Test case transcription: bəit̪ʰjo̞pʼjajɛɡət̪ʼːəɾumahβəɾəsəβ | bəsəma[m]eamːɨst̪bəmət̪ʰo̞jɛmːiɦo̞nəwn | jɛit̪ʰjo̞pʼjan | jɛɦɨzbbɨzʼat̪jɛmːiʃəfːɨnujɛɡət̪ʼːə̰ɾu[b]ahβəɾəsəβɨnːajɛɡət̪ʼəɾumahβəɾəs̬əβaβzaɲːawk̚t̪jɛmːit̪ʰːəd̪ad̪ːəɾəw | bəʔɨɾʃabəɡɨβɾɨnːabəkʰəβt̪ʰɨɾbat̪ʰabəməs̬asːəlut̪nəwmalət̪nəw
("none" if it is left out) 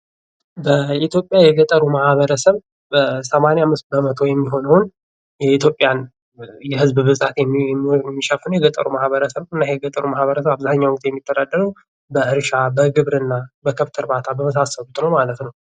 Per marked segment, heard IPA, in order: n, m

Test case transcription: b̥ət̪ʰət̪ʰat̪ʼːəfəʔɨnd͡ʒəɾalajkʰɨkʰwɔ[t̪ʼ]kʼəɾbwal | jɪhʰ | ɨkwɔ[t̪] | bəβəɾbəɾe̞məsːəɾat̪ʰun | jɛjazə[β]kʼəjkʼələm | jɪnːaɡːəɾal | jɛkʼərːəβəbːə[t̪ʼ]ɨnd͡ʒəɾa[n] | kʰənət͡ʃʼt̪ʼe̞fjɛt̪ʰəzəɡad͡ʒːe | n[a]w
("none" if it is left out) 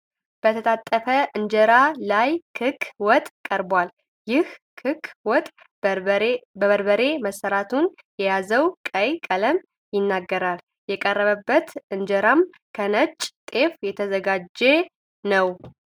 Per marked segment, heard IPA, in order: t̪ʼ, t̪ʼ, w, t̪, m, ə

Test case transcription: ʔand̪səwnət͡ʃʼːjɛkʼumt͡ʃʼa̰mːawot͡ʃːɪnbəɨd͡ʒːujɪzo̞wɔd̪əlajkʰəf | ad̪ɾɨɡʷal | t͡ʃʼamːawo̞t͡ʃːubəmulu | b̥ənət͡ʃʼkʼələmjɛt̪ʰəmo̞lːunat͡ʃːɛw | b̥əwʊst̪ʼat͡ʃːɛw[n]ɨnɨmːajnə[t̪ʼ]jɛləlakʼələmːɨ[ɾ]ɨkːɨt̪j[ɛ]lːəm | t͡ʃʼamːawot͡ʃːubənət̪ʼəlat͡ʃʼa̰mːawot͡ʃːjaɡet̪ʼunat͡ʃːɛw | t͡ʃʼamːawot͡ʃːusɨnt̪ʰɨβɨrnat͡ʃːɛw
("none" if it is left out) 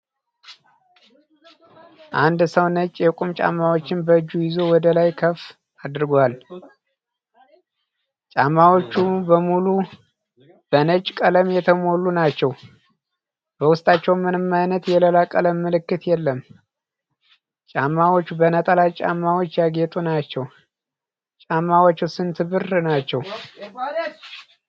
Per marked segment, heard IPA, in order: m, t̪, l, ɛ

